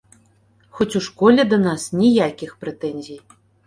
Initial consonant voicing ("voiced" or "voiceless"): voiceless